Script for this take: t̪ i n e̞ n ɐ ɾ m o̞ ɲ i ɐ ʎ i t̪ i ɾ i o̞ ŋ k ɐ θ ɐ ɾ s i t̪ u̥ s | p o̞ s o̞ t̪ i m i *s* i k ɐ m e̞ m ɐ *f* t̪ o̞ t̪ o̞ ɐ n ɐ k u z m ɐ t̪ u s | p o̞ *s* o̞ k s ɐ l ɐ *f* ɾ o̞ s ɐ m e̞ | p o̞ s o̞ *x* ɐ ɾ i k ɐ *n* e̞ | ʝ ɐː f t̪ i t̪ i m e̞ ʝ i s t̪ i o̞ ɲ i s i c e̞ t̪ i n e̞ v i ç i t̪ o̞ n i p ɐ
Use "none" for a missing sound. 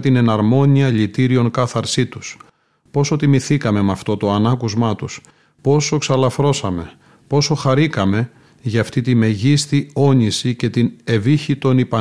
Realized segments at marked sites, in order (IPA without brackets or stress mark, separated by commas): θ, f, s, f, x, m